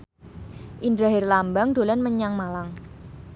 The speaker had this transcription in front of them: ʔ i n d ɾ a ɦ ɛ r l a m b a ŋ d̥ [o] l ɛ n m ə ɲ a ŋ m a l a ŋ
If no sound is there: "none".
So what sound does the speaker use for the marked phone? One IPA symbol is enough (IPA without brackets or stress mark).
o